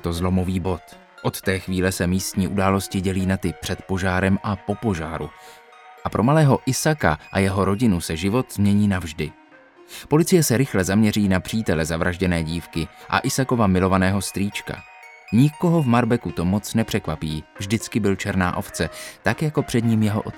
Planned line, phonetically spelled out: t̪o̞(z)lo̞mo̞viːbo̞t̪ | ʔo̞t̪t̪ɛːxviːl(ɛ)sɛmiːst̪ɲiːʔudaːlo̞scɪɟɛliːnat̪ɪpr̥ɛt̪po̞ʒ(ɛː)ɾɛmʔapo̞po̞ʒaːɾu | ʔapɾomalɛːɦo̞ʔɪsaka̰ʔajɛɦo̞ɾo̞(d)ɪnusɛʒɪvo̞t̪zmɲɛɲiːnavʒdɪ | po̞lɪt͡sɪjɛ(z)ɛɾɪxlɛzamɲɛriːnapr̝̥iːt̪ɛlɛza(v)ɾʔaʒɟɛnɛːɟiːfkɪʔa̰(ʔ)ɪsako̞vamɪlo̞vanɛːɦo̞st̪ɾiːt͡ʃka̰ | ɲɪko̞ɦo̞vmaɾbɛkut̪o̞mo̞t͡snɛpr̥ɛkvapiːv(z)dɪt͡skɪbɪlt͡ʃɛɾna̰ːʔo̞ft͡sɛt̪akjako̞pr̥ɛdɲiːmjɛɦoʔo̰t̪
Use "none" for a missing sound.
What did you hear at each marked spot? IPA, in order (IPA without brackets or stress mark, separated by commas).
z, ɛ, aː, ɟ, s, v, ʔ, ʒ